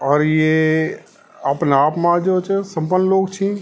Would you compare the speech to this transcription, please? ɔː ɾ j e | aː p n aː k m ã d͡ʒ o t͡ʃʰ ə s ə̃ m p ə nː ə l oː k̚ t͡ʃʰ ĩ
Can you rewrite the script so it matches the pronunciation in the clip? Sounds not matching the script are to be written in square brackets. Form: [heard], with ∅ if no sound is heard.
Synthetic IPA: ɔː ɾ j e | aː p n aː [p] m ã d͡ʒ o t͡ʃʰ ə s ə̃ m p ə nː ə l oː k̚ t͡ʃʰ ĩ